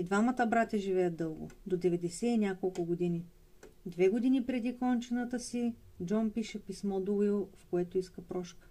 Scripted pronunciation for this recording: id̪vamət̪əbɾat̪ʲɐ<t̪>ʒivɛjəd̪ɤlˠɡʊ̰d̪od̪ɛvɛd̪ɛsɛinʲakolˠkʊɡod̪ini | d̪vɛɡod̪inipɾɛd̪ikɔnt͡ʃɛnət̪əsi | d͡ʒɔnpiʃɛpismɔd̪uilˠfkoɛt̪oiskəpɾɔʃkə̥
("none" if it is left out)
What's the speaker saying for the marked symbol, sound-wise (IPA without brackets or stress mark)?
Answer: none